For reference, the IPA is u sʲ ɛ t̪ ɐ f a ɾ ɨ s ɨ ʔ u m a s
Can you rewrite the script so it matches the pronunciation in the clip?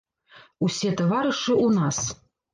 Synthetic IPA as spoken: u sʲ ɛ t̪ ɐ v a ɾ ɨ ʂ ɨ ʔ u n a s